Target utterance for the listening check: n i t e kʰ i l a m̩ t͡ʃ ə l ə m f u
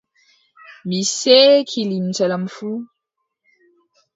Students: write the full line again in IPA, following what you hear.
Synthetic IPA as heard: m i s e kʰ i l i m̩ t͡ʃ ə l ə m f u